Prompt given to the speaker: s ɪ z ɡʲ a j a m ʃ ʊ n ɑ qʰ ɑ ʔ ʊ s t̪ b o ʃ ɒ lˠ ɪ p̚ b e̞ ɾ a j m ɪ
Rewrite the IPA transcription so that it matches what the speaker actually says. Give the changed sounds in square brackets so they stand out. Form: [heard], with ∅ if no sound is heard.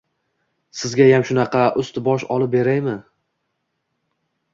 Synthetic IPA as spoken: s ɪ z ɡʲ a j a m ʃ ʊ n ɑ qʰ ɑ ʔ ʊ s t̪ b [ɒ] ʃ ɒ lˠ ɪ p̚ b e̞ ɾ a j m ɪ